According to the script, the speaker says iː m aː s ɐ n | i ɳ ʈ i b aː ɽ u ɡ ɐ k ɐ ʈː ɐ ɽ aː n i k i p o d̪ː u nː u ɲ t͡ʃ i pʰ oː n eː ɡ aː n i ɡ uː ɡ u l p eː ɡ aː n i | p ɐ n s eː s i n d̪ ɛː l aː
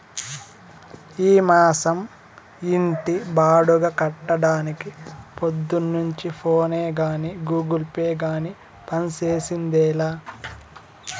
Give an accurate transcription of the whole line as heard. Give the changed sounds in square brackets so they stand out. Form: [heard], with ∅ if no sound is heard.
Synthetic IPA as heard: iː m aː s ɐ [m] | i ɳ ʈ i b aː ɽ u ɡ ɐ k ɐ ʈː ɐ ɽ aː n i k i p o d̪ː u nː u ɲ t͡ʃ i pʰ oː n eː ɡ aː n i ɡ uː ɡ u l p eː ɡ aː n i | p ɐ n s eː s i n d̪ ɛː l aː